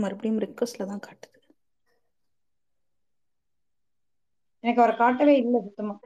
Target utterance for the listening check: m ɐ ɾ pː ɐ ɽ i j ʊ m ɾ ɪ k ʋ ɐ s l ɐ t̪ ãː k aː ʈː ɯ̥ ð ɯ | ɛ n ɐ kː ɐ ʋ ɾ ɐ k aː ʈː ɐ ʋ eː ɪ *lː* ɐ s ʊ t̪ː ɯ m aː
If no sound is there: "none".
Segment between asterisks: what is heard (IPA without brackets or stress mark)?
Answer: lː